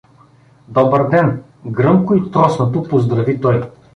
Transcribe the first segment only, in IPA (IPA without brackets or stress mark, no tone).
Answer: d̪